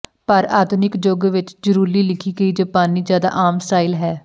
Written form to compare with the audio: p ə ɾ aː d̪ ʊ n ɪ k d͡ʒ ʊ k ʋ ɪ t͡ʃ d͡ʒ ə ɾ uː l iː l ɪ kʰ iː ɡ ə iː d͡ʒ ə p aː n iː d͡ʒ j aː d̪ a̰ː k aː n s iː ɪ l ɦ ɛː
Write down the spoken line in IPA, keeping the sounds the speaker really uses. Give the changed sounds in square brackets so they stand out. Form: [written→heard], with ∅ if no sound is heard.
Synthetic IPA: p ə ɾ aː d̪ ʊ n ɪ k d͡ʒ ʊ [k→ɡ] ʋ ɪ t͡ʃ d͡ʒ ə ɾ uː l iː l ɪ kʰ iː ɡ ə iː d͡ʒ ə p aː n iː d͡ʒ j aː d̪ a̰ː [k→ʔ] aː [n→m] s [iː→aː] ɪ l ɦ ɛː